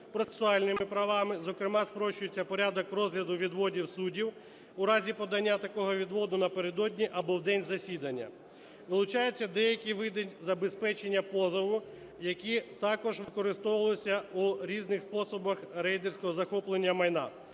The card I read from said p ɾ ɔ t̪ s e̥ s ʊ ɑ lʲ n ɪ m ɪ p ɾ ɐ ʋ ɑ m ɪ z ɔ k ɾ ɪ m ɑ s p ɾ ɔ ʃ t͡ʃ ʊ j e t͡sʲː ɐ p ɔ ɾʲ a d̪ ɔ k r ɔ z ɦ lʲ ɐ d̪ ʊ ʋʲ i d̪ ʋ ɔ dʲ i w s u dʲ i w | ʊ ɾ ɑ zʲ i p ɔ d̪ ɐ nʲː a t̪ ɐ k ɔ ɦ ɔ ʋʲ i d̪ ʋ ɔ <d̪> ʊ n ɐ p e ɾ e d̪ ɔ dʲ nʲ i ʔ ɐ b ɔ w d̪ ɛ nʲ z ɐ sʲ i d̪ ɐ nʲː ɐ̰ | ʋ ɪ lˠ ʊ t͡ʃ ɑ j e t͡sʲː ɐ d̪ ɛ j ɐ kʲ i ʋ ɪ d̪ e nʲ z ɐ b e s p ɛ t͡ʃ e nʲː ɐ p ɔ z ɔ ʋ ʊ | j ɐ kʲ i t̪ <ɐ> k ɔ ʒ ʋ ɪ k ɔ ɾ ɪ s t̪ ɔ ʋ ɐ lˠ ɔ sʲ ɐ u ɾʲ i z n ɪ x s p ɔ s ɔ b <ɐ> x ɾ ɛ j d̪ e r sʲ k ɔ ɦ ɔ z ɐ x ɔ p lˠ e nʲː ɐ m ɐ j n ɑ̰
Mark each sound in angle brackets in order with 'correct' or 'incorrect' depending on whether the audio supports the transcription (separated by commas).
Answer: correct, incorrect, correct